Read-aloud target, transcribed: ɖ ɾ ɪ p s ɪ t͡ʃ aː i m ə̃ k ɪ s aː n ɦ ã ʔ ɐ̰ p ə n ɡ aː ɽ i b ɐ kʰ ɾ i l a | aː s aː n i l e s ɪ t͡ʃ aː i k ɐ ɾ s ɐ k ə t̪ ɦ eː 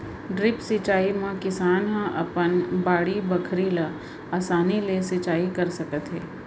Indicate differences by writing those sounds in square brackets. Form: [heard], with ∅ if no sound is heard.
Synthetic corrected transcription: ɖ ɾ ɪ p s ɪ t͡ʃ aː i m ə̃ k ɪ s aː n ɦ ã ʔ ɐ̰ p ə n [b] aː ɽ i b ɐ kʰ ɾ i l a | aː s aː n i l e s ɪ t͡ʃ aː i k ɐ ɾ s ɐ k ə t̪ ɦ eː